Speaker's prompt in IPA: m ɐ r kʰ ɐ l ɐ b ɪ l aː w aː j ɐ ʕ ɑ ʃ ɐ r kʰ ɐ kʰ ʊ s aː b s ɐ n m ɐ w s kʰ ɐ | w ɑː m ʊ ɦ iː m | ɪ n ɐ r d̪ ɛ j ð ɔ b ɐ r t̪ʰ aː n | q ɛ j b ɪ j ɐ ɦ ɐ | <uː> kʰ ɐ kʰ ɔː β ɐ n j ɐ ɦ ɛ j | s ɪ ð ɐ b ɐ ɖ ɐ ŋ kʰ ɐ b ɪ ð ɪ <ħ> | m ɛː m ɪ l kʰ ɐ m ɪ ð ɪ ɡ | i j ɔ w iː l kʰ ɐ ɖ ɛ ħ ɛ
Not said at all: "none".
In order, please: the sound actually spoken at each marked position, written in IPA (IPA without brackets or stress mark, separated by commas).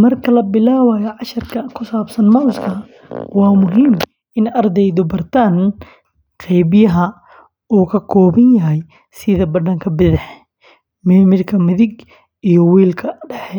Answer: uː, ħ